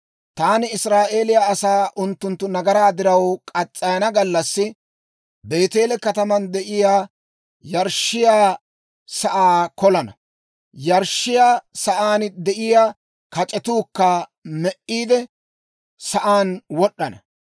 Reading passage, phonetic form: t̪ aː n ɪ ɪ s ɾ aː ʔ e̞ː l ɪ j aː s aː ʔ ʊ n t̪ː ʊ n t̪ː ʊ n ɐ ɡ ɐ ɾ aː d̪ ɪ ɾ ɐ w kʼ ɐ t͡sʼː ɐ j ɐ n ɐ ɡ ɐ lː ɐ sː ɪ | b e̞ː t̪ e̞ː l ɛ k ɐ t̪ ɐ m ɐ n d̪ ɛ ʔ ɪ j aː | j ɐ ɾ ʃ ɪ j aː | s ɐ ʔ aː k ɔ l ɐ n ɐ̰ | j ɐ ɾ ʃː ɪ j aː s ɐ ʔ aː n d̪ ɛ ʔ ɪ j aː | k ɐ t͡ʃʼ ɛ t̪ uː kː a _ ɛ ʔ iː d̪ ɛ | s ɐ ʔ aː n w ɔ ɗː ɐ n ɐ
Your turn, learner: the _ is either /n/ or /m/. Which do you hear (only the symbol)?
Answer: m